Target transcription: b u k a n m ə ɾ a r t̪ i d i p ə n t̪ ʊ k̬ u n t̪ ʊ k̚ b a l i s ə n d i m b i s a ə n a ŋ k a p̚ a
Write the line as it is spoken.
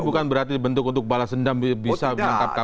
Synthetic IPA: b u k a n b ə ɾ a r t̪ i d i b ə n t̪ ʊ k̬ u n t̪ ʊ k̚ b a l a s ə n d a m b i s a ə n a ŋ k a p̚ a